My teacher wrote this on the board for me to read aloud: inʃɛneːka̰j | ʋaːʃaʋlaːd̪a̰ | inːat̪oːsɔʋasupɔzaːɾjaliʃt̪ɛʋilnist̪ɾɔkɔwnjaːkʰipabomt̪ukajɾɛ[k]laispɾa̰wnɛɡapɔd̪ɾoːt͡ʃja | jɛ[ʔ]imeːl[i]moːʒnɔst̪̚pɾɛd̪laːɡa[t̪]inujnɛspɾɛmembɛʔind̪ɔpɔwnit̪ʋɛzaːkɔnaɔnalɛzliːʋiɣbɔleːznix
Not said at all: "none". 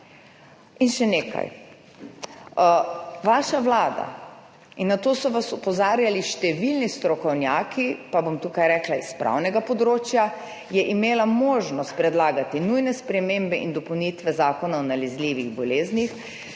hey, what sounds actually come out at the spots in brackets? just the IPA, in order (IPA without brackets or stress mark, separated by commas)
k, ʔ, a, t̪